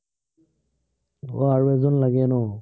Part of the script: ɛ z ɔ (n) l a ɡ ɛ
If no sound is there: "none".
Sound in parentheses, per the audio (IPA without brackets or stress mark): n